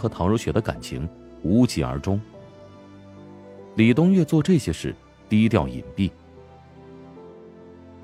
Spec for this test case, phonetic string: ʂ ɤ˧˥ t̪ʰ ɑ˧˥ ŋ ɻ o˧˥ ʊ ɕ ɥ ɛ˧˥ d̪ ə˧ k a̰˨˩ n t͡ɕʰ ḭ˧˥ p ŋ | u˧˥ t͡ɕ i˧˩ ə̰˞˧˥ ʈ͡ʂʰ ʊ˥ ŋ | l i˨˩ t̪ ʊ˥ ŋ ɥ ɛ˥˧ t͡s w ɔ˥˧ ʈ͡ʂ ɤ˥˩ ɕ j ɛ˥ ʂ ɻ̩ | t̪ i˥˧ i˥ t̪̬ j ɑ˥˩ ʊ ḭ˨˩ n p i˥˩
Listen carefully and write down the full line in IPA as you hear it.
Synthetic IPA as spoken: x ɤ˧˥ t̪ʰ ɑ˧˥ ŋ ɻ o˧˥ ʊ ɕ ɥ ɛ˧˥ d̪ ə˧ k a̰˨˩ n t͡ɕʰ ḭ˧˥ ŋ | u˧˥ t͡ɕ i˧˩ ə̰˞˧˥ ʈ͡ʂ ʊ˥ ŋ | l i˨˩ t̪ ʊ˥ ŋ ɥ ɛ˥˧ t͡s w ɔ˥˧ ʈ͡ʂ ɤ˥˩ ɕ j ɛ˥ ʂ ɻ̩ | t̪ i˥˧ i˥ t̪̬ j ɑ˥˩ ʊ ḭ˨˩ n p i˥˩